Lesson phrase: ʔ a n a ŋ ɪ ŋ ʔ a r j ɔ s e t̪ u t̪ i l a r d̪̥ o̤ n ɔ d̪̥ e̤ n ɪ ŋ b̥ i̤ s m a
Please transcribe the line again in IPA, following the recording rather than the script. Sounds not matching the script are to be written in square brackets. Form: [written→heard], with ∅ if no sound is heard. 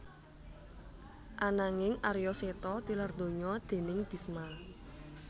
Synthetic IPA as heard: ʔ a n a ŋ ɪ ŋ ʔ a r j ɔ s e t̪ [u→ɔ] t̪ i l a r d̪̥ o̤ [n→ɲ] ɔ d̪̥ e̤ n ɪ ŋ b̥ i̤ s m a